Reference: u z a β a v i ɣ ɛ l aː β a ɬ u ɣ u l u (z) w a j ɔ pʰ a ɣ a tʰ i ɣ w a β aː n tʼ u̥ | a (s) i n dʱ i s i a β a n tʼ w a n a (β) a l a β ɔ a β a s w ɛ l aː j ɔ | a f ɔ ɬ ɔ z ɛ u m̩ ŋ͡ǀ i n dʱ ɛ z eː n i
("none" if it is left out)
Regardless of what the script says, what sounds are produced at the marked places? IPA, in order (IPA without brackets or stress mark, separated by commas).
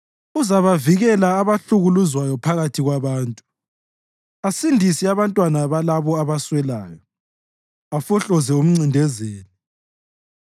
z, s, β